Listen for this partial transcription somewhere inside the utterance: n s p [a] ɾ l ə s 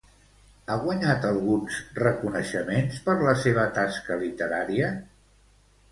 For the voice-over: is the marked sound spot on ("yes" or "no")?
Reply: no